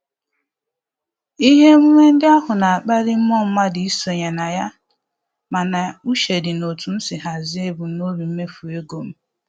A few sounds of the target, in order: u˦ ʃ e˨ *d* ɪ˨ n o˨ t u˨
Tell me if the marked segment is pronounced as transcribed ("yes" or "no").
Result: yes